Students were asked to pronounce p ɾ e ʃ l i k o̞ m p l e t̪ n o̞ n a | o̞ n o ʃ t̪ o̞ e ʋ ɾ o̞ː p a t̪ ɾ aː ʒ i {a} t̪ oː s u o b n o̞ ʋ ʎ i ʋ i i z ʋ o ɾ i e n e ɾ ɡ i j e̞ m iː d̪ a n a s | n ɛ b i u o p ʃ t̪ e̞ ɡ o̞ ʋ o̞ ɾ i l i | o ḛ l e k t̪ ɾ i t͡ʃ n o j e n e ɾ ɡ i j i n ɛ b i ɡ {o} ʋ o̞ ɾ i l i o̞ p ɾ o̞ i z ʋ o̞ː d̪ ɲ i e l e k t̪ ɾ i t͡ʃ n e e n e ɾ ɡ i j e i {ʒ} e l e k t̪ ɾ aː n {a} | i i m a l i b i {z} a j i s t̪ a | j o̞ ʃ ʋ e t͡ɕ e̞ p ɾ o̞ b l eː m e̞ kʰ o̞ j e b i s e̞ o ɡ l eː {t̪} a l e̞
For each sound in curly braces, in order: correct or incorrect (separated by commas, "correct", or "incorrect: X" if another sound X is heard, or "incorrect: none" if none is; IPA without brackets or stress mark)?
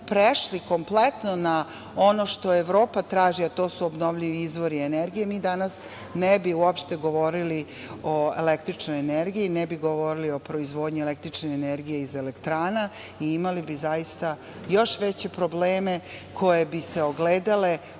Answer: correct, correct, incorrect: z, correct, correct, incorrect: d̪